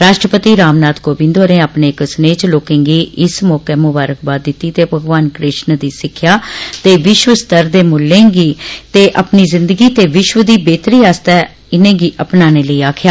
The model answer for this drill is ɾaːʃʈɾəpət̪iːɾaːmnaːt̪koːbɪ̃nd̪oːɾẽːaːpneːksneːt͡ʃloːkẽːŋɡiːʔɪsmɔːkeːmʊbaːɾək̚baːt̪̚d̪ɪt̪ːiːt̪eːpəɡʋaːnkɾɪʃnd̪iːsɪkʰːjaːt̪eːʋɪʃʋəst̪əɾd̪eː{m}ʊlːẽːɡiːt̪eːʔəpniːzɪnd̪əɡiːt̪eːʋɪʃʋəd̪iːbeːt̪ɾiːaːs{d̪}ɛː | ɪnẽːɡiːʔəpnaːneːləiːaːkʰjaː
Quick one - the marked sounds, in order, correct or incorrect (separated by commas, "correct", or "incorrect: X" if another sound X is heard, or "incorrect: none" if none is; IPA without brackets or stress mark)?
correct, incorrect: t̪